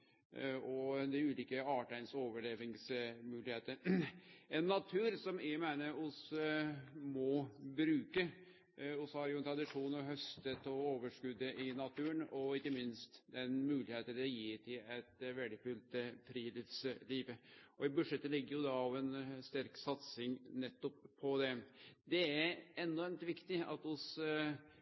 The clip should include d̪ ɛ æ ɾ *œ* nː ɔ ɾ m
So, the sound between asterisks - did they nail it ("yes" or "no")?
no